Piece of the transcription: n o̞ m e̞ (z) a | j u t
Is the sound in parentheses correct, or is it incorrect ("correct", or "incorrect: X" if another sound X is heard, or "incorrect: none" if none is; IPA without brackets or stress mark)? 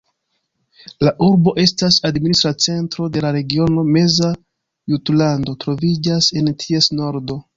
correct